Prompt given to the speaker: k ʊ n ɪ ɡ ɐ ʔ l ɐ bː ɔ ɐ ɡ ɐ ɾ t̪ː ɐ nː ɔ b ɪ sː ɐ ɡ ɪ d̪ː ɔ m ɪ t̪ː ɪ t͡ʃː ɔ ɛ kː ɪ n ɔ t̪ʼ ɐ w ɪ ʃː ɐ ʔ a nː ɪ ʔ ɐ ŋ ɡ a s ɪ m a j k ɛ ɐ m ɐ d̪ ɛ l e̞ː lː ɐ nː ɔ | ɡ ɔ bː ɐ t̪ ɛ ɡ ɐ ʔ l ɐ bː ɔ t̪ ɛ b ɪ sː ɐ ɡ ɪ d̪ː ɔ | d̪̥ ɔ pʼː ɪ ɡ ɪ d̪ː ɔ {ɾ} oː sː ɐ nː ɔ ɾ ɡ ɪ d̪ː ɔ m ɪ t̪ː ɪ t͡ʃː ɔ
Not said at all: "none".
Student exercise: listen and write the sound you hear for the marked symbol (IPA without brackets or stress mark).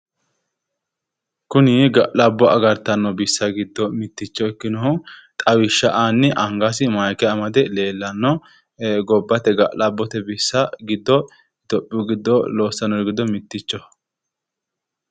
l